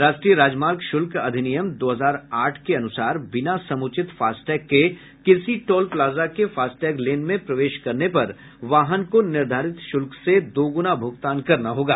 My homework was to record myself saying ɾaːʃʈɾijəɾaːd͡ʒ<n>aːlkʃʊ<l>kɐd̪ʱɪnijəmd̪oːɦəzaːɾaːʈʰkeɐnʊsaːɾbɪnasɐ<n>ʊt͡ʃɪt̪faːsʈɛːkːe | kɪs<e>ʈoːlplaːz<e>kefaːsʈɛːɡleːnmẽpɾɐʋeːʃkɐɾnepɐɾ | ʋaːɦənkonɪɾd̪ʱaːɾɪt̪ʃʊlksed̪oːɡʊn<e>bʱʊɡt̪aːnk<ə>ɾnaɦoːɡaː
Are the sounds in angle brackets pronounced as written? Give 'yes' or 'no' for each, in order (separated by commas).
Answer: no, yes, no, no, no, no, no